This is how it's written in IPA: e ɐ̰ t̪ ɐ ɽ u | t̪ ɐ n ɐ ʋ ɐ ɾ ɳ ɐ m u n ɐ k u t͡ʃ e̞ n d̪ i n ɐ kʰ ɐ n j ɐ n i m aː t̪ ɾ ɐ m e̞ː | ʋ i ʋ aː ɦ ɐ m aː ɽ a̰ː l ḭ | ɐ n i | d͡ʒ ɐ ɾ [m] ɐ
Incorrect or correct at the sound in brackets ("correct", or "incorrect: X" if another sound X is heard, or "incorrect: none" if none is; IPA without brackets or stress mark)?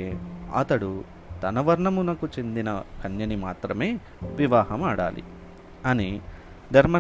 correct